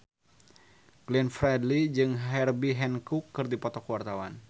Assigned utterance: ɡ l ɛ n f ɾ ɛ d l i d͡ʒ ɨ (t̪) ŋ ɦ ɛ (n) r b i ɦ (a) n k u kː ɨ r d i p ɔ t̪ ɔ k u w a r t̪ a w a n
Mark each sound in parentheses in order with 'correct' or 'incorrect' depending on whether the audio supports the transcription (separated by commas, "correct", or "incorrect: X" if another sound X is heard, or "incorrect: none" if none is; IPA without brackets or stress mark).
incorrect: none, incorrect: none, incorrect: ɛ